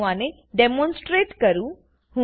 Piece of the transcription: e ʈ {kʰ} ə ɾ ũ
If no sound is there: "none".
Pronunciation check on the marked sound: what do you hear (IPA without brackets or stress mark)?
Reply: k